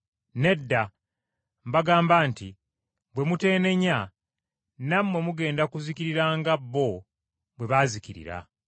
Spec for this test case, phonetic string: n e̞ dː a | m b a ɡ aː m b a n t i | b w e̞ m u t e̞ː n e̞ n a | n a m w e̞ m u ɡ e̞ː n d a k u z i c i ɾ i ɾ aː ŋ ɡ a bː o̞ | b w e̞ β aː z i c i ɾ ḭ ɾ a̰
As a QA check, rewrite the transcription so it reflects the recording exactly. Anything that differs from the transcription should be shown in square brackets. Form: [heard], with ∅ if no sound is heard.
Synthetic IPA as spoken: n e̞ dː a | m b a ɡ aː m b a n t i | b w e̞ m u t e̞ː n e̞ [ɲ] a | n a m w e̞ m u ɡ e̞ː n d a k u z i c i ɾ i ɾ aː ŋ ɡ a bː o̞ | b w e̞ β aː z i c i ɾ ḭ ɾ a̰